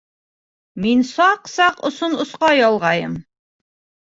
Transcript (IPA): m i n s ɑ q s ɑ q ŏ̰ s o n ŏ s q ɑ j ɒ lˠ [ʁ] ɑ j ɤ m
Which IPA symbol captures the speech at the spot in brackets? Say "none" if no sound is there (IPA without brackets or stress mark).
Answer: ʁ